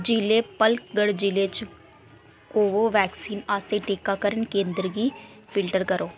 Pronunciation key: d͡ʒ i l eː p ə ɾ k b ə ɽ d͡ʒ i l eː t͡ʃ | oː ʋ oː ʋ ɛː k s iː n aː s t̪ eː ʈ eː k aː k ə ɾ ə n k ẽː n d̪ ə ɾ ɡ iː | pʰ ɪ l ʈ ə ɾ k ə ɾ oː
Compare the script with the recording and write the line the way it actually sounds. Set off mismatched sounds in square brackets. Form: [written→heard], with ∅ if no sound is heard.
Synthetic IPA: d͡ʒ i l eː p ə [ɾ→l] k [b→ɡ] ə ɽ d͡ʒ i l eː t͡ʃ | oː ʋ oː ʋ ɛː k s iː n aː s t̪ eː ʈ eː k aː k ə ɾ ə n k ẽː n d̪ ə ɾ ɡ iː | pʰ ɪ l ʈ ə ɾ k ə ɾ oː